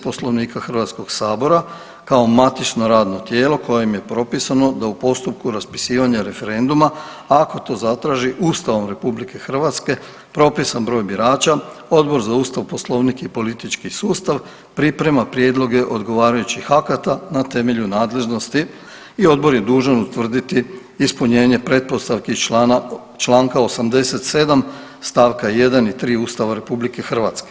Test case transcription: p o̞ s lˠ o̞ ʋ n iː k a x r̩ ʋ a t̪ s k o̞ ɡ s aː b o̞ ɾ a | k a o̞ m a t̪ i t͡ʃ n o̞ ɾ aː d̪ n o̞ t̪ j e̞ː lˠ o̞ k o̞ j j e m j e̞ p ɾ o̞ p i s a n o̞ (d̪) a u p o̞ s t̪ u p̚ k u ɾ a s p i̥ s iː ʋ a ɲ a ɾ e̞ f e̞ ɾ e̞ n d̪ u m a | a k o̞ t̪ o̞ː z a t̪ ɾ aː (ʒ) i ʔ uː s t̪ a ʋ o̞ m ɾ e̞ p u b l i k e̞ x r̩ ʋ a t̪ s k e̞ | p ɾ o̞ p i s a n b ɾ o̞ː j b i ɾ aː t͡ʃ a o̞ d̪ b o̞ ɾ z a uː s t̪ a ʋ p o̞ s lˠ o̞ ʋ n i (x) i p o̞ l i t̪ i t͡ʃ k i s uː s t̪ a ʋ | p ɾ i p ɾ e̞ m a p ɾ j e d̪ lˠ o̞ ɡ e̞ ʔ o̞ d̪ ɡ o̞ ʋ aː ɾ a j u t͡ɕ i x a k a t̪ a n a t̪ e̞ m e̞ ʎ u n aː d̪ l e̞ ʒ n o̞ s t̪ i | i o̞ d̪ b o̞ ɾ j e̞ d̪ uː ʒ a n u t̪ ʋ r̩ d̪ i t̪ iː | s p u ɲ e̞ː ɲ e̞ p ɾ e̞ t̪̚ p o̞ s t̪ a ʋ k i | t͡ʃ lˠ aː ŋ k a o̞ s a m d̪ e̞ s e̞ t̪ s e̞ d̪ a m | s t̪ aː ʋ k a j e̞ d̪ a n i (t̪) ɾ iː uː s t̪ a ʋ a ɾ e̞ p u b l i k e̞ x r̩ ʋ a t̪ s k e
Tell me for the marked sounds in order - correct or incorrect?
correct, correct, incorrect, correct

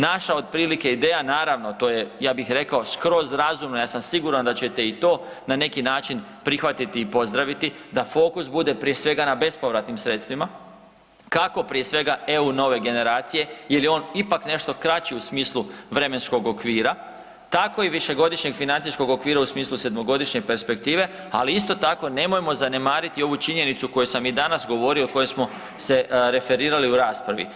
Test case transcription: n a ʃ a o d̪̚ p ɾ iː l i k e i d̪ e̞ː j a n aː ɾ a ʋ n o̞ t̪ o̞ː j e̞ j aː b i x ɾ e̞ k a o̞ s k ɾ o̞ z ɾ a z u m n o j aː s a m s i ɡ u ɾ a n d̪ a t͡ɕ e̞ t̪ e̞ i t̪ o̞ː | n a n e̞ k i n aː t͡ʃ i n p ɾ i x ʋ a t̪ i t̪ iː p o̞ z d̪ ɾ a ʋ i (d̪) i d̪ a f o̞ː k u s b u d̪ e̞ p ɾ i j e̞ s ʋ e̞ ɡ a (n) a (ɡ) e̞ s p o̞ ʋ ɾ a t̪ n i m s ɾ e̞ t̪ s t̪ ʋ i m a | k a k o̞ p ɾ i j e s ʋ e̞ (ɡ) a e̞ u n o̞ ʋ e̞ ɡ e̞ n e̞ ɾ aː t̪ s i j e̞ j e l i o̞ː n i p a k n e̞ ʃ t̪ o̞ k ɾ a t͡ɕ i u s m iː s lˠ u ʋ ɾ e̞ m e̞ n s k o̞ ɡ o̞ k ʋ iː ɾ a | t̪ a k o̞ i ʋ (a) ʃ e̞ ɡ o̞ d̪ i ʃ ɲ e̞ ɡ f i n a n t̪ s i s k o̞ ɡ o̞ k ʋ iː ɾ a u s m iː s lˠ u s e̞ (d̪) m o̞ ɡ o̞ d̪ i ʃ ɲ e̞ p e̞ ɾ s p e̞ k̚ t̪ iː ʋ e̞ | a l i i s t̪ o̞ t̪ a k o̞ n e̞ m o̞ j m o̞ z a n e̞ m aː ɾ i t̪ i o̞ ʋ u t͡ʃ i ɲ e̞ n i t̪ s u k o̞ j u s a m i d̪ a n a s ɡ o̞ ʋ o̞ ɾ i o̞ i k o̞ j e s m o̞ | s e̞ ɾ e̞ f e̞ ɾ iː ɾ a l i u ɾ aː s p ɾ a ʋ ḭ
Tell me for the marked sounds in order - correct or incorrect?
incorrect, correct, incorrect, correct, incorrect, correct

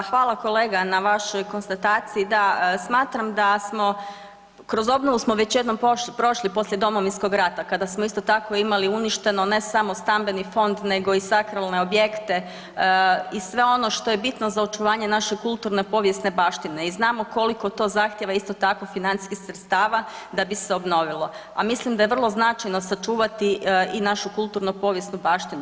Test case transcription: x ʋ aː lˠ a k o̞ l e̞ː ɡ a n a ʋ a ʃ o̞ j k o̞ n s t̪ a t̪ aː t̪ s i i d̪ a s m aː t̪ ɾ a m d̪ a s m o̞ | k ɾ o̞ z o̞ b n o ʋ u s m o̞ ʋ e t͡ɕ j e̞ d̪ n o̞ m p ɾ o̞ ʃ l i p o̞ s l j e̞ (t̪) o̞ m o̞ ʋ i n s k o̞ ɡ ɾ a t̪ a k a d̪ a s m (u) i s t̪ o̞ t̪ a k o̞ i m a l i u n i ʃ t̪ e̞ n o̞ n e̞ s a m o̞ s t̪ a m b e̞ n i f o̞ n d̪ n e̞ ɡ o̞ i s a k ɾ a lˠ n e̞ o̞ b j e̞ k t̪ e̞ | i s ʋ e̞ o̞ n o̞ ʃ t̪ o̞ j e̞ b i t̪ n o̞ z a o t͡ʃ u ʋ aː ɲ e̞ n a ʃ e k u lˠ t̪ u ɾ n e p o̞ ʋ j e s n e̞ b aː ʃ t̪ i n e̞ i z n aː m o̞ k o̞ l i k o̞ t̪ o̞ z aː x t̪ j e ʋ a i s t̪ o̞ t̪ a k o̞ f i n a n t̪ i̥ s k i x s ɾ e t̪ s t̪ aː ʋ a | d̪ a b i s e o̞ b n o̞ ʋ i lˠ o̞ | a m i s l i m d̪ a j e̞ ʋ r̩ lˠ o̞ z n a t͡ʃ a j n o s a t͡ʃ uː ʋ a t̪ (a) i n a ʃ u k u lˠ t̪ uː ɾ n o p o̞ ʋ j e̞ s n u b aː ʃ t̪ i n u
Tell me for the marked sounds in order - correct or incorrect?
incorrect, incorrect, incorrect

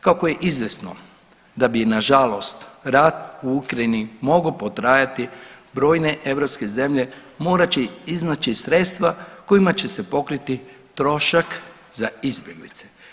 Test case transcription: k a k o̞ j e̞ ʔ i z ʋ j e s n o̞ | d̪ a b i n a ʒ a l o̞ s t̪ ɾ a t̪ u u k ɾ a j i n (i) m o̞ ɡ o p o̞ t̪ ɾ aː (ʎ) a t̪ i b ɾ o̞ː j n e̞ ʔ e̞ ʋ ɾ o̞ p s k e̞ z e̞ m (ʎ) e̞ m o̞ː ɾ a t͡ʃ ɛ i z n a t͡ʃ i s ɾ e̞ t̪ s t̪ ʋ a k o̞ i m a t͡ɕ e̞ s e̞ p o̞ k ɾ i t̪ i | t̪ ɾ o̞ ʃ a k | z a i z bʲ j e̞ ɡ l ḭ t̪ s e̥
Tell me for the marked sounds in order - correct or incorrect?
correct, incorrect, correct

